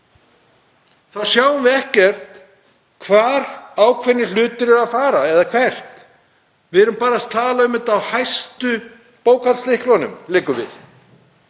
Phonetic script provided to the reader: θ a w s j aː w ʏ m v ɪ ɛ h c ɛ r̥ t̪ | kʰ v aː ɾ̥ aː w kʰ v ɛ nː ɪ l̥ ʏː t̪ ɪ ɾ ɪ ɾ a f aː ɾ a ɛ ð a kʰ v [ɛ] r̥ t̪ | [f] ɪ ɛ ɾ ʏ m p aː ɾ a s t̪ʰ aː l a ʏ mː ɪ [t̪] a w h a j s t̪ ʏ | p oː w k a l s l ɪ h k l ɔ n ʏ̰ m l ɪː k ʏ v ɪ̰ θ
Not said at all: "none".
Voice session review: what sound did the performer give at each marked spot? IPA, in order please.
ɛ, v, t̪

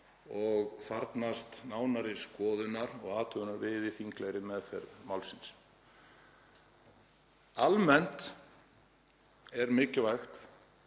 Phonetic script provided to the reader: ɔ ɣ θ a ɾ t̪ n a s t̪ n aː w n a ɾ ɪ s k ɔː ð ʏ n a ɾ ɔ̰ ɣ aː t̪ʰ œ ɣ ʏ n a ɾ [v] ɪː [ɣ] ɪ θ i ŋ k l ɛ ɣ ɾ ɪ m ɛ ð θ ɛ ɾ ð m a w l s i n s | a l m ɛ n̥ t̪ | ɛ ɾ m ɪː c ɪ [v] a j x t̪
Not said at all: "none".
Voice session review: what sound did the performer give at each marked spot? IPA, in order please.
v, ð, v

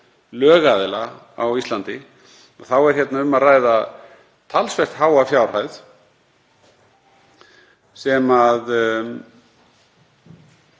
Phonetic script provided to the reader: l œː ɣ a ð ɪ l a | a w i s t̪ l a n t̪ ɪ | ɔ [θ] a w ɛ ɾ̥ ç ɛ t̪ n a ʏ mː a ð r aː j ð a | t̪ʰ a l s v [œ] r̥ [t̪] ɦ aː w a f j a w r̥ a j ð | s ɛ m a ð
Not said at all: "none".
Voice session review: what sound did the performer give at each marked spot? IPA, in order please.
θ, ɛ, t̪

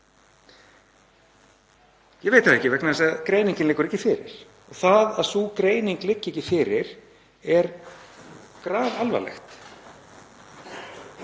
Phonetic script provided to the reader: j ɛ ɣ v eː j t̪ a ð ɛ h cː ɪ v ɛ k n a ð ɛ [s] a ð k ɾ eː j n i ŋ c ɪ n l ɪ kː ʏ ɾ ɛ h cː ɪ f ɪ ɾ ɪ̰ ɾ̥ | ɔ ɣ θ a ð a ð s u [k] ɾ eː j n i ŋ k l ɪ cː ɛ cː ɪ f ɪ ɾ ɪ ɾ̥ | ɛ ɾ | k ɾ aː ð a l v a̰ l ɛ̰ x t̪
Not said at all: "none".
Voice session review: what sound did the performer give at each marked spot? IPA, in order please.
s, k

